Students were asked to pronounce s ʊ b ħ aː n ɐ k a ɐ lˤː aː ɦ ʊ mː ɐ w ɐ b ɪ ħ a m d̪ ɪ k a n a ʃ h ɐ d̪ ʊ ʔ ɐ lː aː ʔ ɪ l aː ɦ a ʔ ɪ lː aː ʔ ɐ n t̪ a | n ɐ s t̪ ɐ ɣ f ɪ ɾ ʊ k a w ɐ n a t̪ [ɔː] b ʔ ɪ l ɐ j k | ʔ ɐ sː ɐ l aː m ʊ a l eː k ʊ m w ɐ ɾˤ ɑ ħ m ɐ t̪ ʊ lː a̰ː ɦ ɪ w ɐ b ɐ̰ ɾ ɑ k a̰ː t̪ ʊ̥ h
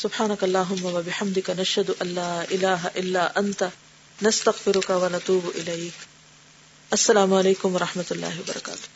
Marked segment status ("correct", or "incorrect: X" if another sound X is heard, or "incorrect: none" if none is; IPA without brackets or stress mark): incorrect: uː